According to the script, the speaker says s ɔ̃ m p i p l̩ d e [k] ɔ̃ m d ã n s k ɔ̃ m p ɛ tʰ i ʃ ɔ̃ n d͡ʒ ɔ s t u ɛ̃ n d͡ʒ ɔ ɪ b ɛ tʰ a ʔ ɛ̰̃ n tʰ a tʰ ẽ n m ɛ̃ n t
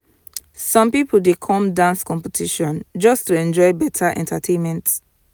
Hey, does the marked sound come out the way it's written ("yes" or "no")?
no